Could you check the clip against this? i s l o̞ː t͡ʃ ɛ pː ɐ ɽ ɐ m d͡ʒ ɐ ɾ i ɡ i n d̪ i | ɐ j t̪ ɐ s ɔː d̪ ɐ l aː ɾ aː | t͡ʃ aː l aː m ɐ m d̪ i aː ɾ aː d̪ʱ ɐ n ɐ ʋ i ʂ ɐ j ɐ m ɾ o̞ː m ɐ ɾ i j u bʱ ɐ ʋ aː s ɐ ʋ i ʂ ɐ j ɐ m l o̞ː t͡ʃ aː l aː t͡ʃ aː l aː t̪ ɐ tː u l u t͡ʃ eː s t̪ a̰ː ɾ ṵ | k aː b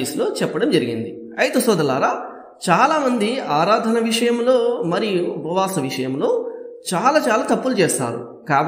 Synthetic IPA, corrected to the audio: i s l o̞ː t͡ʃ ɛ pː ɐ ɽ ɐ m d͡ʒ ɐ ɾ i ɡ i n d̪ i | ɐ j t̪ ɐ s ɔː d̪ ɐ l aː ɾ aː | t͡ʃ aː l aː m ɐ n d̪ i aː ɾ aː d̪ʱ ɐ n ɐ ʋ i ʂ ɐ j ɐ m l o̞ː m ɐ ɾ i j u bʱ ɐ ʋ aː s ɐ ʋ i ʂ ɐ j ɐ m l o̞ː t͡ʃ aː l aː t͡ʃ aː l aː t̪ ɐ pː u l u t͡ʃ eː s t̪ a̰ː ɾ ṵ | k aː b